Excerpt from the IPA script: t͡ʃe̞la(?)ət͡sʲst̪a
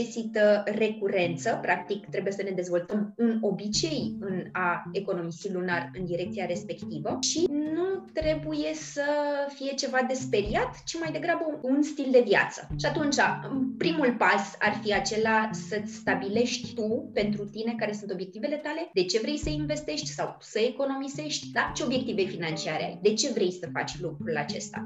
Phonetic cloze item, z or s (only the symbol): s